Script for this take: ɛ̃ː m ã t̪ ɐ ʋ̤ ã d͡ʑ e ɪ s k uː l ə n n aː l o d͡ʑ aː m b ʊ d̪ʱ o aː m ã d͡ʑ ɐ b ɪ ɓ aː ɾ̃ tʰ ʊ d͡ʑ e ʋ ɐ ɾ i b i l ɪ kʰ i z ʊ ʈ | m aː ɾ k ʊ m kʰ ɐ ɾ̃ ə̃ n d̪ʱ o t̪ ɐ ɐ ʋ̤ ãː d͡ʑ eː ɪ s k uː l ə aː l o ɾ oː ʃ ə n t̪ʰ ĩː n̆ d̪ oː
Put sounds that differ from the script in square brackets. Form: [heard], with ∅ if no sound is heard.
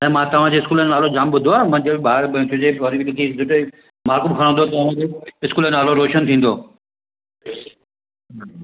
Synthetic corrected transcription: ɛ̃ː m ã t̪ ɐ ʋ̤ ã d͡ʑ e ɪ s k uː l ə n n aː l o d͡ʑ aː m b ʊ d̪ʱ o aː m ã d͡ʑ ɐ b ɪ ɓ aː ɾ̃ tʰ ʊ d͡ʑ e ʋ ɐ ɾ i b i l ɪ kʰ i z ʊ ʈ | m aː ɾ k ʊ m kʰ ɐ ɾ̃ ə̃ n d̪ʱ o t̪ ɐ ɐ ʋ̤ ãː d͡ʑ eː ɪ s k uː l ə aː l o ɾ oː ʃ ə n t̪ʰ ĩː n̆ d̪ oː